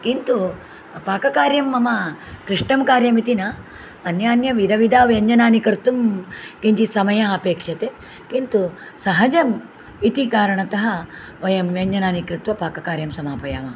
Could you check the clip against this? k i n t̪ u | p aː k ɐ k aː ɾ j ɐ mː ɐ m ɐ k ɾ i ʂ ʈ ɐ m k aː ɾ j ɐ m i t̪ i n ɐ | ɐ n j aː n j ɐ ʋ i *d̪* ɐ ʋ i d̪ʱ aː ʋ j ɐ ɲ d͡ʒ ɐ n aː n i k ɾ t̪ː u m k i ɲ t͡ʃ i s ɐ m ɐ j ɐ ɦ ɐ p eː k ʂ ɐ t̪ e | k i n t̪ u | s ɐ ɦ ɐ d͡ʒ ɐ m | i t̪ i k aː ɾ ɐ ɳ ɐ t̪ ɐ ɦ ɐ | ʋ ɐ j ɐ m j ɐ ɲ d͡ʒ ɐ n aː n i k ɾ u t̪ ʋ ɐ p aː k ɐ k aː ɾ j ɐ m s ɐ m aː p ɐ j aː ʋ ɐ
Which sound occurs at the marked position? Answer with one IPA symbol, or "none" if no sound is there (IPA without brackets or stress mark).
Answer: d̪